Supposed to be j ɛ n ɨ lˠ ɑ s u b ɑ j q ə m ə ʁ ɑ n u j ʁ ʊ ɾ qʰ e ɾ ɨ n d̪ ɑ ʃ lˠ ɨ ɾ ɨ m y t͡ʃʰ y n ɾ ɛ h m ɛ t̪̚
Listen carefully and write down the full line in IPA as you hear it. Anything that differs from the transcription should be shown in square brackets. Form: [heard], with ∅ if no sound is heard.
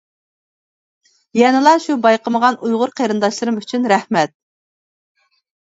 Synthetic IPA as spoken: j ɛ n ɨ lˠ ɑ [ʃ] u b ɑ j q ə m ə ʁ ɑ n u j ʁ ʊ ɾ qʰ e ɾ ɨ n d̪ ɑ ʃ lˠ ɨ ɾ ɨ m y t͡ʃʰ y n ɾ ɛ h m ɛ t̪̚